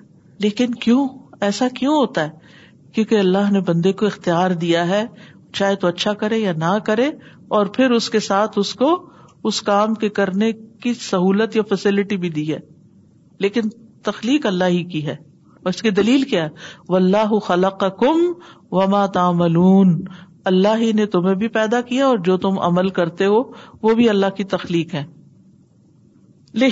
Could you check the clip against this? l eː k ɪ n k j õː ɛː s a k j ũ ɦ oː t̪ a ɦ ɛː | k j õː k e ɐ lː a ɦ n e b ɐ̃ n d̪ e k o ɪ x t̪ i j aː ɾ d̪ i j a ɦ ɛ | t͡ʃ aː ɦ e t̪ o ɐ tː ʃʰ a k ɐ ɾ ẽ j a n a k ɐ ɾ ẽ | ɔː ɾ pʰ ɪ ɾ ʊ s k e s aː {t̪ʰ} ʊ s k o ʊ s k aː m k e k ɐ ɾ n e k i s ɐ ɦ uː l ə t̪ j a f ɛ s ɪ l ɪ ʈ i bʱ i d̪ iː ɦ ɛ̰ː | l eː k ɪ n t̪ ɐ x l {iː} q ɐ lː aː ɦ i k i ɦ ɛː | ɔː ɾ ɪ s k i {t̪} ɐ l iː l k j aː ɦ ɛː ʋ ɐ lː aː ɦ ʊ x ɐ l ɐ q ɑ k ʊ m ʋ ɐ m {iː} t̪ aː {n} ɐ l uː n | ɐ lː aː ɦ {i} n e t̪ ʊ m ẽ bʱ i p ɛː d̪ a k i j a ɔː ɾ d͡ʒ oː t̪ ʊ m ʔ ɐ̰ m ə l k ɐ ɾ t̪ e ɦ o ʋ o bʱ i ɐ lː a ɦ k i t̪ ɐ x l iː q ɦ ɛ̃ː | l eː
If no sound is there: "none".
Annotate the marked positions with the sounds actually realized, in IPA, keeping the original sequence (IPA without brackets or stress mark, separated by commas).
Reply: t̪ʰ, iː, d̪, aː, m, i